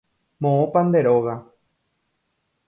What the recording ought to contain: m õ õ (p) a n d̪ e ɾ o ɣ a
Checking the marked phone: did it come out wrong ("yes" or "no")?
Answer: no